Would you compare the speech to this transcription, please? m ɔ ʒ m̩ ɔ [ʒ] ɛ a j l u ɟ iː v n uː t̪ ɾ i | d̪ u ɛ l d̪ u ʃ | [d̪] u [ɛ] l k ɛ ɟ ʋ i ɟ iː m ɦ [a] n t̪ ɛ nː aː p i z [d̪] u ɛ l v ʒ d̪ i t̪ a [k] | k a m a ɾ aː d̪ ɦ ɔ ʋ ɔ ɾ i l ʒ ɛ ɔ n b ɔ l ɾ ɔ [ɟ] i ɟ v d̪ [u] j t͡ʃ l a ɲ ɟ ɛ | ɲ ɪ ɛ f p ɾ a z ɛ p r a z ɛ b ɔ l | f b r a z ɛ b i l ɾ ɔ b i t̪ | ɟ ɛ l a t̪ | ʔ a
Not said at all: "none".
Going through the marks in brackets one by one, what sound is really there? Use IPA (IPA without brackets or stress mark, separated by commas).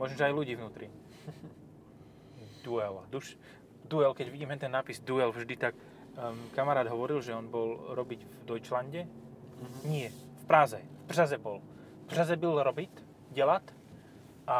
ʒ, d̪, ɛ, ɛ, d̪, k, b, ɔ